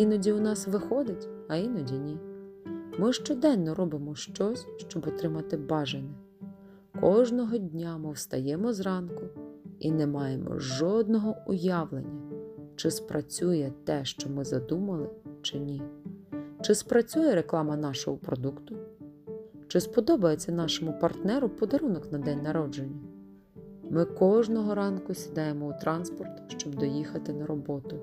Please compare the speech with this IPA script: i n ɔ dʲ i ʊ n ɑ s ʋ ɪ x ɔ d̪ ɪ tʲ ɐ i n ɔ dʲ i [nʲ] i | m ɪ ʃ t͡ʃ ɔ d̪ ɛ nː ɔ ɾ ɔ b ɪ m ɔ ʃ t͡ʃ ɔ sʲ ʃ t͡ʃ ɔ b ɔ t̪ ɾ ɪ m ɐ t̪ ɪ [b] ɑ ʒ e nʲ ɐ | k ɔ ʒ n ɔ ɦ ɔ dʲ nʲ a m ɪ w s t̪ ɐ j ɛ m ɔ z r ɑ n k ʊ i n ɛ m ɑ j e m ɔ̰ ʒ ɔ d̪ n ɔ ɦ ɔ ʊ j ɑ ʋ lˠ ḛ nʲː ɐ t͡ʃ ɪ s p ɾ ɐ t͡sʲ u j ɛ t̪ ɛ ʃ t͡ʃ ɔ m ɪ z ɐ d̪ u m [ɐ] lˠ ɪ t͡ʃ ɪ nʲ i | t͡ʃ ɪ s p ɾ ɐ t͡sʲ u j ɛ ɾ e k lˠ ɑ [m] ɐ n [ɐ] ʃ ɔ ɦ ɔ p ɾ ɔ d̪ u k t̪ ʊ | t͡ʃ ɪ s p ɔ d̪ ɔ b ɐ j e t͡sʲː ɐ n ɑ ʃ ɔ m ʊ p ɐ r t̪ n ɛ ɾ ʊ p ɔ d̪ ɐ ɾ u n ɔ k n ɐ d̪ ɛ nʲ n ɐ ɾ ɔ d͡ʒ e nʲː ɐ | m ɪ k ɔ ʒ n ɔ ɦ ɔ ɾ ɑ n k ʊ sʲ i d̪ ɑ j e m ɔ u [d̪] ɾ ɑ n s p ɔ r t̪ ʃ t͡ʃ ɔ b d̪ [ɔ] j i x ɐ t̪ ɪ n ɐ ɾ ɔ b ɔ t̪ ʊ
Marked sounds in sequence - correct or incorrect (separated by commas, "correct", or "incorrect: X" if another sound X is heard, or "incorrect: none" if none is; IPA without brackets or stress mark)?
correct, correct, correct, correct, incorrect: ɑ, incorrect: t̪, correct